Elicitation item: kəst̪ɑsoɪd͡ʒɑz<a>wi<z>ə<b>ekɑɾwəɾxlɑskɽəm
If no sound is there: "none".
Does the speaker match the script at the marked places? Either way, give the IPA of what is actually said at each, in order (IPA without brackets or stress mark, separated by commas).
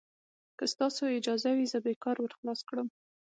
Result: a, z, b